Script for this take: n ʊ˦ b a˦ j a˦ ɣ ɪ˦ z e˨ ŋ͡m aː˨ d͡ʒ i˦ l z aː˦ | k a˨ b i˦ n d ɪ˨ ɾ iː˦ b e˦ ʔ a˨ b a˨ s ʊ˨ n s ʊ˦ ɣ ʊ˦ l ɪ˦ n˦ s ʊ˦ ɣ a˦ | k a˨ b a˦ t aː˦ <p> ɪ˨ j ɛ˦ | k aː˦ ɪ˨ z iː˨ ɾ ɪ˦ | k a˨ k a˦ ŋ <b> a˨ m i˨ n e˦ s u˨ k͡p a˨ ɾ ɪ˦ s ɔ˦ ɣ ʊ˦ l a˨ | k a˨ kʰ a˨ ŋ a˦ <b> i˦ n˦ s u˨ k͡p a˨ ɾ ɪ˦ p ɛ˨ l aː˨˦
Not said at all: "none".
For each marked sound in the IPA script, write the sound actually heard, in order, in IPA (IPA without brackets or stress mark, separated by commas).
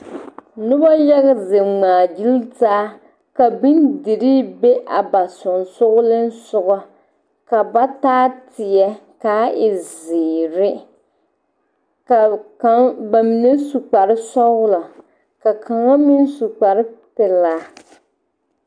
t, b, m